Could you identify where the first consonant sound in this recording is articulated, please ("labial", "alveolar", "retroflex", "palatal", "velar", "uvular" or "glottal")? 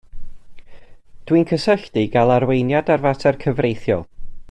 alveolar